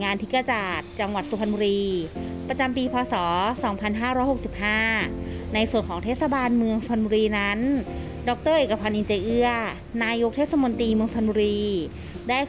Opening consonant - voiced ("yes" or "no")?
yes